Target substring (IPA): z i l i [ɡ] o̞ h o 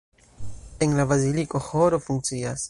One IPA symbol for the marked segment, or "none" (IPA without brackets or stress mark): k